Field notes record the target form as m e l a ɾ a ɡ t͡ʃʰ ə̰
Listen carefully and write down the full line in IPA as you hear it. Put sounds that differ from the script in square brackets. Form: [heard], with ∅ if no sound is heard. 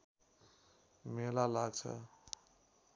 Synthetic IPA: m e l a [l] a ɡ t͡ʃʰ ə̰